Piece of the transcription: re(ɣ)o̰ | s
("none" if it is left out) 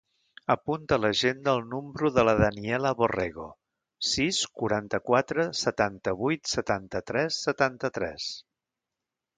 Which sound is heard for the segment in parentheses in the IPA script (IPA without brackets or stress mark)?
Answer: ɣ